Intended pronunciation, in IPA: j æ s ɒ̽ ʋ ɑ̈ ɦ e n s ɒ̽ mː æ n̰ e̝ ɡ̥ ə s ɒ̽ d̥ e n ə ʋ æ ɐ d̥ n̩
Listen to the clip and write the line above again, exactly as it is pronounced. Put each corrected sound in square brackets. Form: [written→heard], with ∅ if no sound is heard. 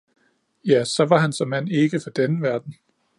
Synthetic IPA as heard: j æ s ɒ̽ ʋ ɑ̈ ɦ [e→æ] n s ɒ̽ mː æ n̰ e̝ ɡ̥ ə [s→f] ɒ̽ d̥ e n ə ʋ æ ɐ d̥ n̩